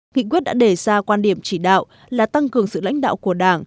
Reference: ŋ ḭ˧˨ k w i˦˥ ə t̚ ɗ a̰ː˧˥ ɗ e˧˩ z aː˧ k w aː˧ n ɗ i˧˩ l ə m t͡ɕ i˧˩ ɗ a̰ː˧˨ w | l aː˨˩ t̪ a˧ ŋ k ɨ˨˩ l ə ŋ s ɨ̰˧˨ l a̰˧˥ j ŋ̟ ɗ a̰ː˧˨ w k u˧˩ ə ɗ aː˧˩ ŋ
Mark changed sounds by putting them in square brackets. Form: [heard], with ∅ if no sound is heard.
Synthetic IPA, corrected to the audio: ŋ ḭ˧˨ k w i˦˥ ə t̚ ɗ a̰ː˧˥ ɗ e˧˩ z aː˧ k w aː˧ n ɗ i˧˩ [∅] ə m t͡ɕ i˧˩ ɗ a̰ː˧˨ w | l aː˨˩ t̪ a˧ ŋ k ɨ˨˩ [∅] ə ŋ s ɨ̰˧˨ l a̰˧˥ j ŋ̟ ɗ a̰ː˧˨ w k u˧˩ ə ɗ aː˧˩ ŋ